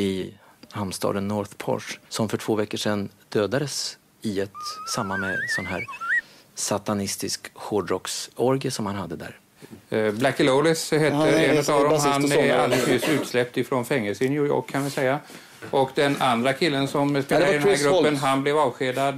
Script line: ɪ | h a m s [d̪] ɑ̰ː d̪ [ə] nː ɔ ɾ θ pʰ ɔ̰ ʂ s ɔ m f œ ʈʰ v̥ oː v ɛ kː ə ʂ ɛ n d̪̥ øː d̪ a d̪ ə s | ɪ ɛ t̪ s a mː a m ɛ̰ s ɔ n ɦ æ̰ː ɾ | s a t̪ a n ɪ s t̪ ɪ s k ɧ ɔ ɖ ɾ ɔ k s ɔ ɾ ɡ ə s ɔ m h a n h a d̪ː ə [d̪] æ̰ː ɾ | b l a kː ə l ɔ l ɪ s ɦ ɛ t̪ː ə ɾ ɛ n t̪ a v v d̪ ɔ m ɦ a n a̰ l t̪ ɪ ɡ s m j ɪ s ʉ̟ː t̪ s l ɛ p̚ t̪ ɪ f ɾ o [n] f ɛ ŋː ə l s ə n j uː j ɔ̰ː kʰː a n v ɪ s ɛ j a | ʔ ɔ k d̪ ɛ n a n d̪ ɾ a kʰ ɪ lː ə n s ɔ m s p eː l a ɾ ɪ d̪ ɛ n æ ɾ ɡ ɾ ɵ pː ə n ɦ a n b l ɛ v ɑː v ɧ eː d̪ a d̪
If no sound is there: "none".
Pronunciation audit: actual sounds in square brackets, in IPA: t̪, ə, d̪, n

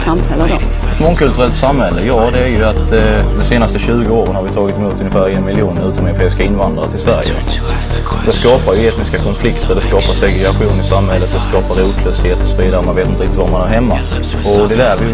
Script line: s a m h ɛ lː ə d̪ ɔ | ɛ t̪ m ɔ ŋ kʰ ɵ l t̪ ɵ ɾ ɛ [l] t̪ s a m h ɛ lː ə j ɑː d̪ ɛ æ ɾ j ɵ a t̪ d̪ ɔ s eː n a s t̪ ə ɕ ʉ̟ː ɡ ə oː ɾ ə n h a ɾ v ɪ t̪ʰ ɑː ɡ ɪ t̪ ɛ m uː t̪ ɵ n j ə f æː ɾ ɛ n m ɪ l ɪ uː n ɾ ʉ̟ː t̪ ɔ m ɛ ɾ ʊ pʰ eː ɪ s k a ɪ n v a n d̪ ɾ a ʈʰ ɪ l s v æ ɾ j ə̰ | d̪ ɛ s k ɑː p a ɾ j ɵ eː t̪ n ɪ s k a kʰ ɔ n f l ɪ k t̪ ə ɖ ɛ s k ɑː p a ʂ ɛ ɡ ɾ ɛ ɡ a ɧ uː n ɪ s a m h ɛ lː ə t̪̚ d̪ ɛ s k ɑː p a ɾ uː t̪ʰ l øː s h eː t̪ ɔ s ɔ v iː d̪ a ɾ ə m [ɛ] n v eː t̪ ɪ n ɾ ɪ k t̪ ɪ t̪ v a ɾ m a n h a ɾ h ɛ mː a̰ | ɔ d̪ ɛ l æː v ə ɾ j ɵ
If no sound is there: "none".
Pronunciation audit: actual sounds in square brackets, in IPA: l, a

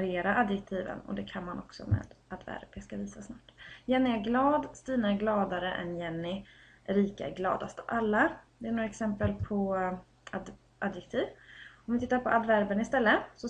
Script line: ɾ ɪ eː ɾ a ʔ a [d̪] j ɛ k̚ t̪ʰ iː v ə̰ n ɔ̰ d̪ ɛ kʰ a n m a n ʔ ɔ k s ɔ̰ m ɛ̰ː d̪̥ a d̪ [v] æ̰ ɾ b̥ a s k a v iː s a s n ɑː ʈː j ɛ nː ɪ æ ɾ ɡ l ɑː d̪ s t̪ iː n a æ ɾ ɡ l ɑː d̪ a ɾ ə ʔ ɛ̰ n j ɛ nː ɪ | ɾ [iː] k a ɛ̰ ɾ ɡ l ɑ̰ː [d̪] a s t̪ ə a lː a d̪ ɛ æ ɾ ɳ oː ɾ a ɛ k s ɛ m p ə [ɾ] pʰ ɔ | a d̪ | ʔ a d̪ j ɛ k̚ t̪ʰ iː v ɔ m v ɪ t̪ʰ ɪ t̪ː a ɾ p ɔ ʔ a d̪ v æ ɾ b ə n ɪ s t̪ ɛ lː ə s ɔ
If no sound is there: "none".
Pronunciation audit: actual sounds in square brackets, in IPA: d̪, v, iː, d̪, l

